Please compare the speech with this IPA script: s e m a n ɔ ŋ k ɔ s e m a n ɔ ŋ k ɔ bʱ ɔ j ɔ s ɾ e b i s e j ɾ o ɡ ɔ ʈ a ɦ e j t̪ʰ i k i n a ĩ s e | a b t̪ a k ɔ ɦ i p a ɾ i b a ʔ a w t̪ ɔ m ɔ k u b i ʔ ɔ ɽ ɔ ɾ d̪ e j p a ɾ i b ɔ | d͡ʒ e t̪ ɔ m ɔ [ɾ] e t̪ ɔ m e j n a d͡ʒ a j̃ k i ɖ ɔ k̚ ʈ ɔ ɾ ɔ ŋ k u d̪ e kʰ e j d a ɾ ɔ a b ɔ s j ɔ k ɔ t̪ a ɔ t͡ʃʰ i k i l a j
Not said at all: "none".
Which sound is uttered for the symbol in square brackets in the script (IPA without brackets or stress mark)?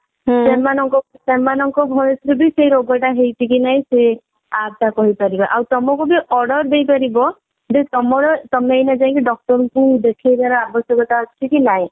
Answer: ɾ